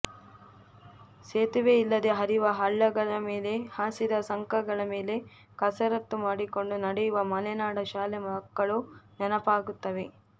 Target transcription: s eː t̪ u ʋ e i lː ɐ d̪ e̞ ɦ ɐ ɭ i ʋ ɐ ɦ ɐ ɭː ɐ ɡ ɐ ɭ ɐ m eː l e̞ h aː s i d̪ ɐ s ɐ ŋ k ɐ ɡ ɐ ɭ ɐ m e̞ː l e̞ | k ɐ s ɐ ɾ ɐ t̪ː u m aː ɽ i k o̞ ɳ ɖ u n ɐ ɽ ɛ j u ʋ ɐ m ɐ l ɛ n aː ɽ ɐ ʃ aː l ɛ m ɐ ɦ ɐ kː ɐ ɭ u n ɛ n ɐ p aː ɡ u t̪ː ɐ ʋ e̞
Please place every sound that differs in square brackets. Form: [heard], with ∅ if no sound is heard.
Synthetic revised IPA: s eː t̪ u ʋ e i lː ɐ d̪ e̞ ɦ ɐ [ɾ] i ʋ ɐ ɦ ɐ ɭː ɐ ɡ ɐ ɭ ɐ m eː l e̞ h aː s i d̪ ɐ s ɐ ŋ k ɐ ɡ ɐ ɭ ɐ m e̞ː l e̞ | k ɐ s ɐ ɾ ɐ t̪ː u m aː ɽ i k o̞ ɳ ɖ u n ɐ ɽ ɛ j u ʋ ɐ m ɐ l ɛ n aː ɽ ɐ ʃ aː l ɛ m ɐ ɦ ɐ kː ɐ ɭ u n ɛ n ɐ p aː ɡ u t̪ː ɐ ʋ e̞